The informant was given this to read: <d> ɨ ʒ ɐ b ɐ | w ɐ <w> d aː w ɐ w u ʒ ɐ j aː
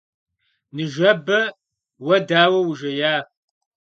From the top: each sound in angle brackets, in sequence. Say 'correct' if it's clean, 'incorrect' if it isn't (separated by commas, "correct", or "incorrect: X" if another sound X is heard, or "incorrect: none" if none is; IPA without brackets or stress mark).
incorrect: n, incorrect: none